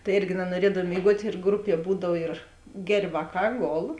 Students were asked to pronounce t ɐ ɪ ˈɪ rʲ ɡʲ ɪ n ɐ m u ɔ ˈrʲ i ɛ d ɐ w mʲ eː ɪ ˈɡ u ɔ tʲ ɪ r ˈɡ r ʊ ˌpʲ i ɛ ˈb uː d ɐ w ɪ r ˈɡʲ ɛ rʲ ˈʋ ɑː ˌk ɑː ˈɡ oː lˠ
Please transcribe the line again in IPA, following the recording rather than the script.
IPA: t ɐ ɪ ˈɪ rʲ ɡʲ ɪ n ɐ n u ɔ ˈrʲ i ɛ d ɐ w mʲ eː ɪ ˈɡ u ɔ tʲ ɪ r ˈɡ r ʊ ˌpʲ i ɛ ˈb uː d ɐ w ɪ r ˈɡʲ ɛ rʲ ˈʋ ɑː ˌk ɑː ˈɡ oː lˠ

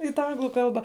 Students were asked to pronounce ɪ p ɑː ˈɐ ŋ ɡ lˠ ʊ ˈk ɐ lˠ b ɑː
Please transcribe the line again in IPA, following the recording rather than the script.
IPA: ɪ t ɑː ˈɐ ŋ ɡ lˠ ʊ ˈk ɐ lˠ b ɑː

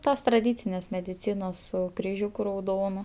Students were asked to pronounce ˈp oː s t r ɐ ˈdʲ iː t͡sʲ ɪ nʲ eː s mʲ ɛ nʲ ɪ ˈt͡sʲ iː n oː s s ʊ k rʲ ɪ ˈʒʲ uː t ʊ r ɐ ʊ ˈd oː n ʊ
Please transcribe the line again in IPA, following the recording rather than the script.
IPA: ˈt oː s t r ɐ ˈdʲ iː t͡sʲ ɪ nʲ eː s mʲ ɛ dʲ ɪ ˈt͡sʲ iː n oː s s ʊ k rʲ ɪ ˈʒʲ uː k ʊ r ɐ ʊ ˈd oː n ʊ

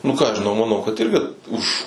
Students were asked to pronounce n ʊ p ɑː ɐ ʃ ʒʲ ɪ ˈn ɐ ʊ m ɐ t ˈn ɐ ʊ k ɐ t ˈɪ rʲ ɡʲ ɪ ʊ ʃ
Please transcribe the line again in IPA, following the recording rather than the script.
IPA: n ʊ k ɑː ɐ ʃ ʒʲ ɪ ˈn ɐ ʊ m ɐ ˈn ɐ ʊ k ɐ t ˈɪ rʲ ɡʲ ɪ ʊ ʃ

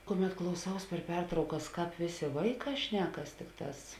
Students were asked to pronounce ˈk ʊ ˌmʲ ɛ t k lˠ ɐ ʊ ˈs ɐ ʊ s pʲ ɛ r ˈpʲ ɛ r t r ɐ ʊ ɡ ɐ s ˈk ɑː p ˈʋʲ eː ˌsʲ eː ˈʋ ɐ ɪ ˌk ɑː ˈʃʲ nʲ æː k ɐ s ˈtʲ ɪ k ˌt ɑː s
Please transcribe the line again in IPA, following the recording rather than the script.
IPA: ˈk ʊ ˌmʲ ɛ t k lˠ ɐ ʊ ˈs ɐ ʊ s pʲ ɛ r ˈpʲ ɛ r t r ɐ ʊ k ɐ s ˈk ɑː p ˈʋʲ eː ˌsʲ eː ˈʋ ɐ ɪ ˌk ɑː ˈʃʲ nʲ æː k ɐ s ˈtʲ ɪ k ˌt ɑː s

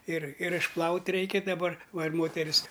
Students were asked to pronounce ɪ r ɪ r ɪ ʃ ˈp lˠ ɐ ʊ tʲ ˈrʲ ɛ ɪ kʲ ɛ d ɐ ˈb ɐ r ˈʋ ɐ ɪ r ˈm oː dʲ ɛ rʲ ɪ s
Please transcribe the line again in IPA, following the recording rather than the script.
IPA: ɪ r ɪ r ɪ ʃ ˈp lˠ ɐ ʊ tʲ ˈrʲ ɛ ɪ kʲ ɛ d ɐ ˈb ɐ r ˈʋ ɐ ɪ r ˈm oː tʲ ɛ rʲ ɪ s

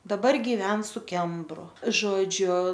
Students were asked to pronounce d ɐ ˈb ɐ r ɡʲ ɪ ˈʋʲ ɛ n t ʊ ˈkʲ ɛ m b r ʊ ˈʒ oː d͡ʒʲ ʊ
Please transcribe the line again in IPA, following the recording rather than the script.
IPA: d ɐ ˈb ɐ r ɡʲ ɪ ˈʋʲ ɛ n s ʊ ˈkʲ ɛ m b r ʊ ˈʒ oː d͡ʒʲ ʊ

